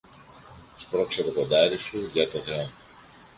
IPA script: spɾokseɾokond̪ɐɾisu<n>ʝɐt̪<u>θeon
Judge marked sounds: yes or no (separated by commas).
no, no